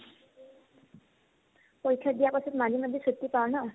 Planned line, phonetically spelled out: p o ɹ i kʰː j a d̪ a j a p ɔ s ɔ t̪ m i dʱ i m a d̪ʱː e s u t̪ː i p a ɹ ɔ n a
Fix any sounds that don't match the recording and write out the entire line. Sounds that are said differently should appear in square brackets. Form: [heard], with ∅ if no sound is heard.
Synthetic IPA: p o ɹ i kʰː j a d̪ [i] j a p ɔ s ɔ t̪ m [a] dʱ i m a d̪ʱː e s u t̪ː i p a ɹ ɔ n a